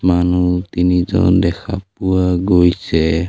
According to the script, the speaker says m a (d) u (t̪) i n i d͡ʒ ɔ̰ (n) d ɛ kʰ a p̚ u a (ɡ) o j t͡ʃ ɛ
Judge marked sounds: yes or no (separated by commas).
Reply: no, yes, yes, yes